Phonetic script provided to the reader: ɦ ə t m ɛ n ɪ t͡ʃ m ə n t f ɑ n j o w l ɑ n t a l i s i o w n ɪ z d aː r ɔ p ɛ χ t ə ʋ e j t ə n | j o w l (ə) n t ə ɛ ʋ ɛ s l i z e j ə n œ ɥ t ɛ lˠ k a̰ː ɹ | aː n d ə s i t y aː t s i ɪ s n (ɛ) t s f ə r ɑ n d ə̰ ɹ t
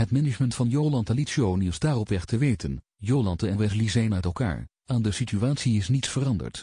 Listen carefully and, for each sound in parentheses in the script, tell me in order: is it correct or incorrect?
incorrect: ɑ, incorrect: i

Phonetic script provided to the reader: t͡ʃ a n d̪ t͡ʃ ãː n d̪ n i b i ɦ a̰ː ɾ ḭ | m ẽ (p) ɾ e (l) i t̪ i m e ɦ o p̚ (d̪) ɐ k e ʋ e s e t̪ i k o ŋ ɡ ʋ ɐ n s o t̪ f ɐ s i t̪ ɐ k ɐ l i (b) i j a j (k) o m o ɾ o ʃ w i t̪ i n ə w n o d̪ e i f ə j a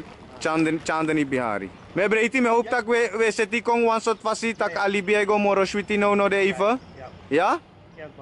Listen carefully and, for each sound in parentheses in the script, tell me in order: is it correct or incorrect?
incorrect: b, incorrect: none, incorrect: t̪, correct, incorrect: ɡ

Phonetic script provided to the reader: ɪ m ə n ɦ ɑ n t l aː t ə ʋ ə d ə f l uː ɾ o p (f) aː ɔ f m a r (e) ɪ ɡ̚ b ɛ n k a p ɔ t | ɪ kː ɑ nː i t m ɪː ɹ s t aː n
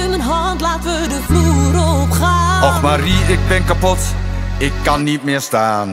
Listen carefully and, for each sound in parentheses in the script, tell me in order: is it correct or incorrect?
incorrect: χ, incorrect: i

